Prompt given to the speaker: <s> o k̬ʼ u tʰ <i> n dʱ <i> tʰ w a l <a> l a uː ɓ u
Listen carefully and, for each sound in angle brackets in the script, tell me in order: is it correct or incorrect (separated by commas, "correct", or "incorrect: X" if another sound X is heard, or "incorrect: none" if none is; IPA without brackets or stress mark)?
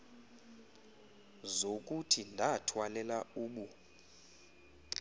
incorrect: z, correct, incorrect: a, incorrect: ɛ